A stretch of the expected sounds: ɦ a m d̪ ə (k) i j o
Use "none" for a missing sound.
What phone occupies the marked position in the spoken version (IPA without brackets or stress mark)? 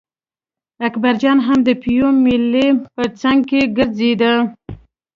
p